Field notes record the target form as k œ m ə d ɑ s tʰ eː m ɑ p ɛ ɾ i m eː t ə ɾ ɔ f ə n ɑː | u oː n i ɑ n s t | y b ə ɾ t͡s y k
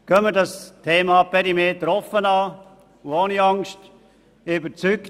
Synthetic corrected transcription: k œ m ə d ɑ s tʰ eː m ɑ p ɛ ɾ i m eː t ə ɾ ɔ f ə n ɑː | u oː n i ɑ ŋ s t | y b ə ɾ t͡s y k